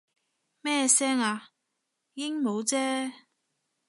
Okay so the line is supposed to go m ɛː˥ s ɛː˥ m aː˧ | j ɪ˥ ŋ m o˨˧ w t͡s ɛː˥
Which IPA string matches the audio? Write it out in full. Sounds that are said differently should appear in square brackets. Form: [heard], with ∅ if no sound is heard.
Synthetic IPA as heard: m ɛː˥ s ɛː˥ [ŋ] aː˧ | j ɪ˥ ŋ m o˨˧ w t͡s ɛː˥